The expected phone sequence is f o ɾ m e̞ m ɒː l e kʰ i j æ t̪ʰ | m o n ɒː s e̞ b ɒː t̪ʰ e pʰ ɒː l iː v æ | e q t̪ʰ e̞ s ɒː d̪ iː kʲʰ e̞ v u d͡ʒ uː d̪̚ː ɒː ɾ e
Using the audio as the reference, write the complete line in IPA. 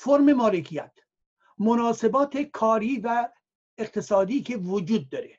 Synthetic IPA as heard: f o ɾ m e̞ m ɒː l e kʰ i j æ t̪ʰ | m o n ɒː s e̞ b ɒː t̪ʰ e kʰ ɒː ɾ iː v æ | e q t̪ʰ e̞ s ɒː d̪ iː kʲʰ e̞ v o d͡ʒ uː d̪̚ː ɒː ɾ e